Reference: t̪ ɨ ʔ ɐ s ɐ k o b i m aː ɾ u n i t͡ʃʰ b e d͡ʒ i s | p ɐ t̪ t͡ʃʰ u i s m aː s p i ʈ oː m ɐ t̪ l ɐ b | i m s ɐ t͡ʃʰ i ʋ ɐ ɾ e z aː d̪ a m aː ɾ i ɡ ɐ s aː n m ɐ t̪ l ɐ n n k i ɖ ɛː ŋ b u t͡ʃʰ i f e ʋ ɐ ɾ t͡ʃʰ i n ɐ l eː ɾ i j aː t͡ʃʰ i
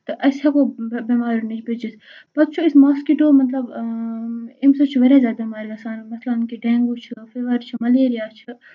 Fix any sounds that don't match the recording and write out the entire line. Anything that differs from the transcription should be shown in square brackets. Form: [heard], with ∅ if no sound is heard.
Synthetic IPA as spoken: t̪ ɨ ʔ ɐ s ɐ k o b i m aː ɾ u n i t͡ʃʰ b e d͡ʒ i s | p ɐ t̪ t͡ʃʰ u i s m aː s [k] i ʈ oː m ɐ t̪ l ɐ b | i m s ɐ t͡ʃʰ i ʋ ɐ ɾ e z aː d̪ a m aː ɾ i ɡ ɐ s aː n m ɐ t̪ l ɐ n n k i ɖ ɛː ŋ [ɡ] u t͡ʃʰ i f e ʋ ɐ ɾ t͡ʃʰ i [m] ɐ l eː ɾ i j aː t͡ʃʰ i